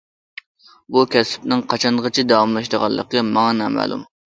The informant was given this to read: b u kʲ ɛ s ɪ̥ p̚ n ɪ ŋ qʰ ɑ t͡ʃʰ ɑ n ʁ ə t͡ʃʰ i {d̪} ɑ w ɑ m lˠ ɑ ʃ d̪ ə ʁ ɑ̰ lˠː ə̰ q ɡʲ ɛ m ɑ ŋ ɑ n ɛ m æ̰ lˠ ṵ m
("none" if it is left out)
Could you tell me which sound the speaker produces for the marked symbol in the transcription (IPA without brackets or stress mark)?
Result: d̪